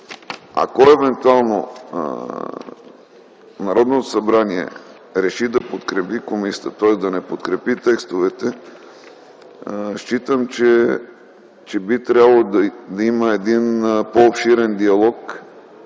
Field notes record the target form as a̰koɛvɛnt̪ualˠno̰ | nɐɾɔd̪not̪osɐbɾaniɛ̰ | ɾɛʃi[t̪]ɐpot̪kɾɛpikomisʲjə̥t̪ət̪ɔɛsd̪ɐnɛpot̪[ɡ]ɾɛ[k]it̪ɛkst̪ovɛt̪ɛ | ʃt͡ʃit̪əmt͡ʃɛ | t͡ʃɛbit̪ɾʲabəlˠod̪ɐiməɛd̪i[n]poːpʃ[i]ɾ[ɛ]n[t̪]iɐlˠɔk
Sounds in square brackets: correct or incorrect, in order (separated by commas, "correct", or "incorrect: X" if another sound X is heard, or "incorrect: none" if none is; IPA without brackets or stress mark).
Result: incorrect: d̪, incorrect: k, incorrect: p, correct, correct, correct, incorrect: d̪